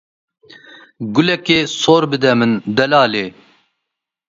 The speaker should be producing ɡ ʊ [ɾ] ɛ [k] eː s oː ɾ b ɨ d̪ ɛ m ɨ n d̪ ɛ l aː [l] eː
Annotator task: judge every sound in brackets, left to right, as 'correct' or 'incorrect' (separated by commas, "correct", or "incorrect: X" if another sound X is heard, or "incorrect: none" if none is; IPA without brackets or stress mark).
incorrect: l, correct, correct